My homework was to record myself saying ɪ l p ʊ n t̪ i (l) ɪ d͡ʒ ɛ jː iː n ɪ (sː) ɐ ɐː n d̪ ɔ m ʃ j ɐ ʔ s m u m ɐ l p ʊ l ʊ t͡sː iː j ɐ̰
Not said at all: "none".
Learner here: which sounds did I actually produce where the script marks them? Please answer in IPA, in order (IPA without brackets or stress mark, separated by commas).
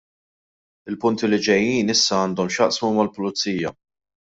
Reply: l, sː